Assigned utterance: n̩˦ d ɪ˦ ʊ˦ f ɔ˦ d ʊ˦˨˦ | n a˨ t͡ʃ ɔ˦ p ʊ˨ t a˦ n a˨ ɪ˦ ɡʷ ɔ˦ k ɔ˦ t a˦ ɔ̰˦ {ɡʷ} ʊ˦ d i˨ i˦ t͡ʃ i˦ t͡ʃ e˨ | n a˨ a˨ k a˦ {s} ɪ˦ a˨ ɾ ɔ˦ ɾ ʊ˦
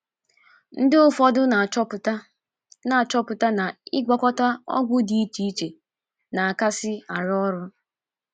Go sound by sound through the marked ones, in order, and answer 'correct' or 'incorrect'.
correct, correct

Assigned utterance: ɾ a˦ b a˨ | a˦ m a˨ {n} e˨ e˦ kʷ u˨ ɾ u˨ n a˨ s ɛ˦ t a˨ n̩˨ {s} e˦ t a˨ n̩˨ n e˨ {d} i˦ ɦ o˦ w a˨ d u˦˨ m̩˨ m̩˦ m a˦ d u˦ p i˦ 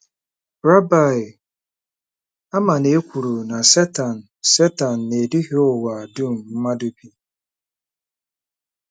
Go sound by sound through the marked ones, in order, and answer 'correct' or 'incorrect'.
correct, correct, correct

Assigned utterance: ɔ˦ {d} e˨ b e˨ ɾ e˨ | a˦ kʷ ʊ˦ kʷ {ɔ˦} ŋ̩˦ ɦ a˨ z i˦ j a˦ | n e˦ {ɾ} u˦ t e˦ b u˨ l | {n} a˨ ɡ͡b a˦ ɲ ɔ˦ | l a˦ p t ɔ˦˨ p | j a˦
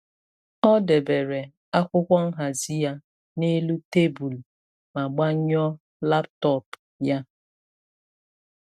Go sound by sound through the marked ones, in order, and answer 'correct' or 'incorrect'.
correct, correct, incorrect: l, incorrect: m

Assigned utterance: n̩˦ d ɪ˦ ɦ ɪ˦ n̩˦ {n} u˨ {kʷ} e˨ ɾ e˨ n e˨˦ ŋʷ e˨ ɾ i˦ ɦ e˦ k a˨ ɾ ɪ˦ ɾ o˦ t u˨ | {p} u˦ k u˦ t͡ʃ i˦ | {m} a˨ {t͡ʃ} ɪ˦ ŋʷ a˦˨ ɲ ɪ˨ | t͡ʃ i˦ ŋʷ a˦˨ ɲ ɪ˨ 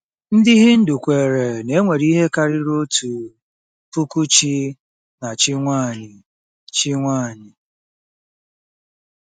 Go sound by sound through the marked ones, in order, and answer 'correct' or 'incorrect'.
incorrect: d, correct, correct, incorrect: n, correct

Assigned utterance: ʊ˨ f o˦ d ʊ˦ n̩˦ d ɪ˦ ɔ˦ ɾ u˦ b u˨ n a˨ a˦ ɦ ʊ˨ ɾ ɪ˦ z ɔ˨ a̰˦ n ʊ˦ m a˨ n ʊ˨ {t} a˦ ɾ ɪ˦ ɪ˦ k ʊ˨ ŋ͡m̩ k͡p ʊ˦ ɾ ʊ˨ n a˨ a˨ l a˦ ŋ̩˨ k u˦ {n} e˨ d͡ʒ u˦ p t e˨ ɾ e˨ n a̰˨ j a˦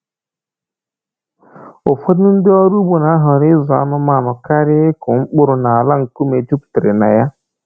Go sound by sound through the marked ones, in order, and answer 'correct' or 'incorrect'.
incorrect: k, incorrect: m

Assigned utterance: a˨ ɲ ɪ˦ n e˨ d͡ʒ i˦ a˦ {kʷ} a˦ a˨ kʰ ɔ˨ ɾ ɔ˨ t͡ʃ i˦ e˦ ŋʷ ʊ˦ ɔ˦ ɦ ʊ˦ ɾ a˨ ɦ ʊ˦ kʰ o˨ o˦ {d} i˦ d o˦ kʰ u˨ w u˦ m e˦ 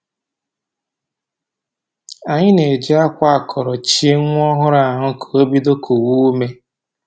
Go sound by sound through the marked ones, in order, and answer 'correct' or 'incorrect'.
correct, incorrect: b

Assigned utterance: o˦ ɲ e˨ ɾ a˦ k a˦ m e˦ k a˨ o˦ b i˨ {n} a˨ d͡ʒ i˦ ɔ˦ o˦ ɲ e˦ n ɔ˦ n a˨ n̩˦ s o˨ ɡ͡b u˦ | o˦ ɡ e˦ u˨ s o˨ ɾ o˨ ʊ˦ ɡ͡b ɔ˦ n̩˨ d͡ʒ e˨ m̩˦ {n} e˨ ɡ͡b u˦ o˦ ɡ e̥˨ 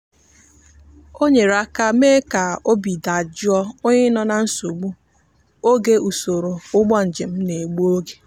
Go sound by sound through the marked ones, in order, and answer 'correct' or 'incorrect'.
incorrect: d, correct

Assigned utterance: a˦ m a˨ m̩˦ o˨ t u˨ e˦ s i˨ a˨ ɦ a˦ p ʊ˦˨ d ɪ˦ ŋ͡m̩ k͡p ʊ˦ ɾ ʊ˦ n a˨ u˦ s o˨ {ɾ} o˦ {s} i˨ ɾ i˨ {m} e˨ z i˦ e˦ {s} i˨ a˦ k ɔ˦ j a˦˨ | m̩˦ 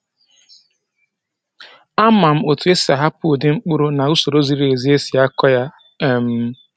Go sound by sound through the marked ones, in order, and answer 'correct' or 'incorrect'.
correct, incorrect: z, incorrect: none, correct

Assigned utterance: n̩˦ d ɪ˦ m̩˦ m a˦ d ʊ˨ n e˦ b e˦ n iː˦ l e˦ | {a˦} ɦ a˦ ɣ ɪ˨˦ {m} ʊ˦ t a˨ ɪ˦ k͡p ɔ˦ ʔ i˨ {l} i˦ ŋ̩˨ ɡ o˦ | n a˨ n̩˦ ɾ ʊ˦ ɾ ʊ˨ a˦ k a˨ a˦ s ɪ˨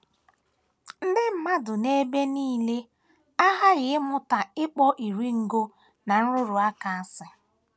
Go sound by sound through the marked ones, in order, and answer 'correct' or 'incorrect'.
correct, correct, incorrect: ɾ

